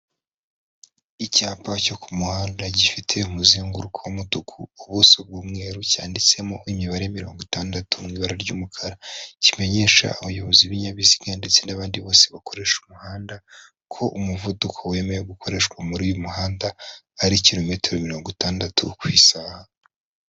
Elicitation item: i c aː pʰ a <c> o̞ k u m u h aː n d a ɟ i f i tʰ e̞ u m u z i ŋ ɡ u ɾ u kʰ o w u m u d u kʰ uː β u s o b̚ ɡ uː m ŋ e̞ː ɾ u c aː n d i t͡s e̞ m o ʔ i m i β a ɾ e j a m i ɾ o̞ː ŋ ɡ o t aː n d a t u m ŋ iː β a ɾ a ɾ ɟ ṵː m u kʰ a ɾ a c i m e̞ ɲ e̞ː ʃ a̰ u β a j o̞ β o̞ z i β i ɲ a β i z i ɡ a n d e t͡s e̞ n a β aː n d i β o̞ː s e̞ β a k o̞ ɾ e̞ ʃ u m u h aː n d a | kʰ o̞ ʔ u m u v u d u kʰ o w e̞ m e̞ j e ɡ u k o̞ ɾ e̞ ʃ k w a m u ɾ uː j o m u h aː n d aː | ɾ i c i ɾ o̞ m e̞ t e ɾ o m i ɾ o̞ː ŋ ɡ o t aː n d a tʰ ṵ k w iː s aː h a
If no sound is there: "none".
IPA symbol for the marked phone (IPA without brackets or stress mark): c